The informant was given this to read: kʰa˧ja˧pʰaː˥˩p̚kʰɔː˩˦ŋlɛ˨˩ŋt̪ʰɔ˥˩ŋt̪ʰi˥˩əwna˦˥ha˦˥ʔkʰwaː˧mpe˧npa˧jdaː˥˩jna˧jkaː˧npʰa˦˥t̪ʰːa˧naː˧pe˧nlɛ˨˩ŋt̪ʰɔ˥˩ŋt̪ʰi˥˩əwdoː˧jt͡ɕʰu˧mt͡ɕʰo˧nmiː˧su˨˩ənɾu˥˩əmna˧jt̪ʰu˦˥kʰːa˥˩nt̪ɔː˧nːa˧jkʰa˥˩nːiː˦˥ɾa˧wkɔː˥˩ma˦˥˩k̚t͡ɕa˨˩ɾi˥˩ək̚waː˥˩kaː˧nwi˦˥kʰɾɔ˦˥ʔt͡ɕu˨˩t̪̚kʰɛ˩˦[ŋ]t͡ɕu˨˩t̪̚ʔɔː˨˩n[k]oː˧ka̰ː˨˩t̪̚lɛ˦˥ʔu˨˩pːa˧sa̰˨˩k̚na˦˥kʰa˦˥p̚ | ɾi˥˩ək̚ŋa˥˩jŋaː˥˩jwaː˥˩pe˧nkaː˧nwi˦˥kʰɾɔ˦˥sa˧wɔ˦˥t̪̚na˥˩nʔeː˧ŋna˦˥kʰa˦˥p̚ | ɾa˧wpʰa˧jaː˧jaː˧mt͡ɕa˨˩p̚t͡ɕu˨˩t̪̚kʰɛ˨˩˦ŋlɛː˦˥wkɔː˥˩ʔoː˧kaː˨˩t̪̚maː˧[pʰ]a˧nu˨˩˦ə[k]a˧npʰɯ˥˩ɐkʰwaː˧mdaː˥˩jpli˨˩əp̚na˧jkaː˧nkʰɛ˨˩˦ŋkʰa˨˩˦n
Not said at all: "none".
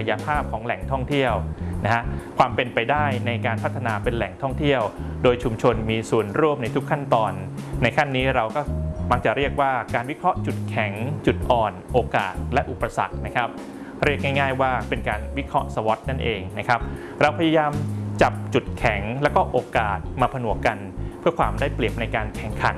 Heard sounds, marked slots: ŋ, ʔ, pʰ, k

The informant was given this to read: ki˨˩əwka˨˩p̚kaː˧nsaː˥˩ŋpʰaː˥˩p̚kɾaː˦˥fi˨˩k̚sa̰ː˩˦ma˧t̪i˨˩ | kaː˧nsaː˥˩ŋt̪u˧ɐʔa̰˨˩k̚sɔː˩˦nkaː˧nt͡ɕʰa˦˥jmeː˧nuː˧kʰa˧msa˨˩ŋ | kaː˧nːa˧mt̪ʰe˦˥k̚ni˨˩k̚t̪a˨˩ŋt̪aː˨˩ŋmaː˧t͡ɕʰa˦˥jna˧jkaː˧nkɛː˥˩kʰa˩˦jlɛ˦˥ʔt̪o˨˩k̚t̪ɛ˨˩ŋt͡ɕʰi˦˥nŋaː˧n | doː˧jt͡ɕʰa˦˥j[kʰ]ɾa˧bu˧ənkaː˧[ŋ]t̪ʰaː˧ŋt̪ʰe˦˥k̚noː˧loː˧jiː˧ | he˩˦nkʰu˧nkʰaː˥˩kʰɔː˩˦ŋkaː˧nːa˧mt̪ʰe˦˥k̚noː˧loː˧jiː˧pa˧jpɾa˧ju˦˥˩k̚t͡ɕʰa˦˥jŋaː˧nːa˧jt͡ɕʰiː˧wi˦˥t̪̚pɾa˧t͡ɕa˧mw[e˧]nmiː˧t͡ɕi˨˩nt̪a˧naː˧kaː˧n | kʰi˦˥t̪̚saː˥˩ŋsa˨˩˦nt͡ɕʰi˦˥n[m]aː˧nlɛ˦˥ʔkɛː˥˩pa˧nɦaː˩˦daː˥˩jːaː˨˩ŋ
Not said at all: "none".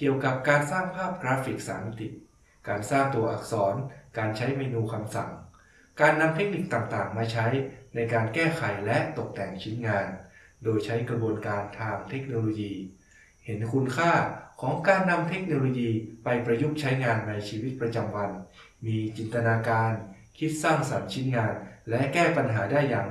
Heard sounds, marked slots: k, n, a˧, ŋ

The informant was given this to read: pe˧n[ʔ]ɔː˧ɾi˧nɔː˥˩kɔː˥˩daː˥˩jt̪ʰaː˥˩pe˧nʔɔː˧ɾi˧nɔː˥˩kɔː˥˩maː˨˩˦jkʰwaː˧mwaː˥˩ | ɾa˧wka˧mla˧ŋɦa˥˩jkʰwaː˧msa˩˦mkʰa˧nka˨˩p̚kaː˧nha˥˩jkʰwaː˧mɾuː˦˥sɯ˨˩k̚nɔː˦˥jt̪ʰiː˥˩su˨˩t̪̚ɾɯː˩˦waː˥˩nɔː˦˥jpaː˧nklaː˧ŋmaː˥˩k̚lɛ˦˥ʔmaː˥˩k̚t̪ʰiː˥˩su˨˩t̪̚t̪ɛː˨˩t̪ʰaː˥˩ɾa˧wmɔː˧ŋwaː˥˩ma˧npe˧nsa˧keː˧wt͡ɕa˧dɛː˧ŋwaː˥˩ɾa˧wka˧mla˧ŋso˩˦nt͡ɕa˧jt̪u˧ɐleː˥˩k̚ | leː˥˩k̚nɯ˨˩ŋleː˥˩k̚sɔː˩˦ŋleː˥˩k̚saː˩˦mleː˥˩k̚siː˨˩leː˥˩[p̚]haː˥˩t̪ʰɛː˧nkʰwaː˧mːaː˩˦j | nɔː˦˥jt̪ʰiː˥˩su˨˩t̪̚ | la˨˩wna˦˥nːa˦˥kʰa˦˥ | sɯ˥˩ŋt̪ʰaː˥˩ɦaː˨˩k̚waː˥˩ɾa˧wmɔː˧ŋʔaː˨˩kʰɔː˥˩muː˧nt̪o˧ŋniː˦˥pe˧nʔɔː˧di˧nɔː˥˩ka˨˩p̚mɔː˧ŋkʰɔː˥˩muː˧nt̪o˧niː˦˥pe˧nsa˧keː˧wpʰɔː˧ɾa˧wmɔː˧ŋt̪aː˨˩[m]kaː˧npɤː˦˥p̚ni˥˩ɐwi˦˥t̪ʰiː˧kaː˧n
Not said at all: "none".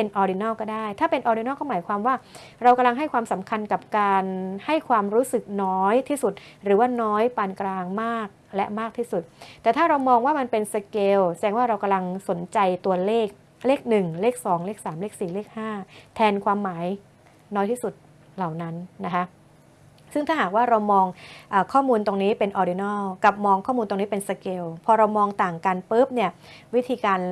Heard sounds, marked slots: ʔ, k̚, ŋ

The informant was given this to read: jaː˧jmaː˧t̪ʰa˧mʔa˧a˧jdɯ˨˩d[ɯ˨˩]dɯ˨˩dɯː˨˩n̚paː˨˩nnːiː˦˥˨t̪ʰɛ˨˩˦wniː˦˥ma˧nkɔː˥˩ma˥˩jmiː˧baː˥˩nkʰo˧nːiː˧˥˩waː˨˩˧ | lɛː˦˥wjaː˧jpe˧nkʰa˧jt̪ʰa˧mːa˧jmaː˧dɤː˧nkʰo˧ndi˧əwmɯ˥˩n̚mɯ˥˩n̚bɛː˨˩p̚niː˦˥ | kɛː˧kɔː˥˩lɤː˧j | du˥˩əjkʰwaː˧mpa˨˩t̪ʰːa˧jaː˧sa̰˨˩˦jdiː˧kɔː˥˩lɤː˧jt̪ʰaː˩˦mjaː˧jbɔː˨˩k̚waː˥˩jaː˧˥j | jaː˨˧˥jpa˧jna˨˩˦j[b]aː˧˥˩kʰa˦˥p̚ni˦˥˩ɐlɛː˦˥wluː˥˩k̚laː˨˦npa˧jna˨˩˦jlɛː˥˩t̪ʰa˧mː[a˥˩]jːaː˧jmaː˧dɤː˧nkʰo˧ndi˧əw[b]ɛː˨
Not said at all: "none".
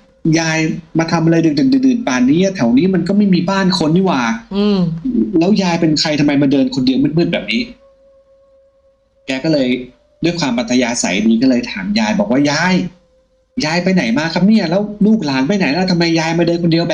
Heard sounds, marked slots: ɯ˨˩, m, a˧, b

